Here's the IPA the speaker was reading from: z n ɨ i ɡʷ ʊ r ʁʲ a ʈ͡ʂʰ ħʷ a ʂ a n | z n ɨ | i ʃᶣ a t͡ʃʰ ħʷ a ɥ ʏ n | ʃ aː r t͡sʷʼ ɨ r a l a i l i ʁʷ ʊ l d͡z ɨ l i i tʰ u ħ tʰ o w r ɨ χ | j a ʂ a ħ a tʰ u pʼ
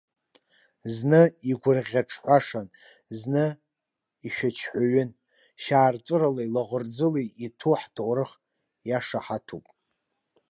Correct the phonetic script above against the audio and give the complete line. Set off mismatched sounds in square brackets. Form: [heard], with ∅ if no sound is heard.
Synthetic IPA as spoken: z n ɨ i ɡʷ ʊ r ʁʲ a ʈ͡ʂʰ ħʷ a ʂ a n | z n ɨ | i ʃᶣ a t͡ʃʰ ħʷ a ɥ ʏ n | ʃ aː r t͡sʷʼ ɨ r a l a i l [a] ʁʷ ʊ [r] d͡z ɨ l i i tʰ u ħ tʰ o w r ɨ χ | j a ʂ a ħ a tʰ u pʼ